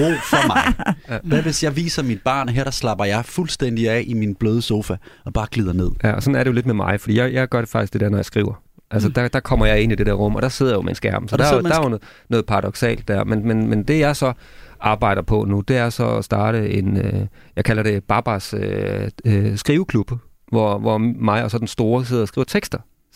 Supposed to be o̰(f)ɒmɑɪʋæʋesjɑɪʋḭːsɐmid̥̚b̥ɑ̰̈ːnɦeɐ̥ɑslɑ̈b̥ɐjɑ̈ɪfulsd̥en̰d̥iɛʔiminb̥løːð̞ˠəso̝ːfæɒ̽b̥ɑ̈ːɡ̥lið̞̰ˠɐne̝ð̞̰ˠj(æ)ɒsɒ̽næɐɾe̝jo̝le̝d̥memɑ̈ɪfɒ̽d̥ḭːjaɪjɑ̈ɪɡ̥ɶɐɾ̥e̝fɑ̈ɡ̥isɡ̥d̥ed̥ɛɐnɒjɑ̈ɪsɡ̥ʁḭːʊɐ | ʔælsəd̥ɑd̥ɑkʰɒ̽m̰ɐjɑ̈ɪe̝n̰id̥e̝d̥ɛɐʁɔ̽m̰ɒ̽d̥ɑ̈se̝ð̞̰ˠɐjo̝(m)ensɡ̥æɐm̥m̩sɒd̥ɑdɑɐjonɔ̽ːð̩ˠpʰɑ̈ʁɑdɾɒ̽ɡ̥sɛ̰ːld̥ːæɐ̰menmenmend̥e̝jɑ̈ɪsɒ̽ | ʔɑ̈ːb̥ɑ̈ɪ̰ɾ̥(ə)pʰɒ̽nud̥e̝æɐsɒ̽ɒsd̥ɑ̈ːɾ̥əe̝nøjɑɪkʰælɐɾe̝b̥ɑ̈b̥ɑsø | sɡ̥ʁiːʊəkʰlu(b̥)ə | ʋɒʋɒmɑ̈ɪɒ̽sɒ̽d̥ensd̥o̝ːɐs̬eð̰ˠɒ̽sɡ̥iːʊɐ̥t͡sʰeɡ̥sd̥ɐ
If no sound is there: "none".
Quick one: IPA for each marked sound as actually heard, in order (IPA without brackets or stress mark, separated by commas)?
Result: f, æ, m, ɐ, b̥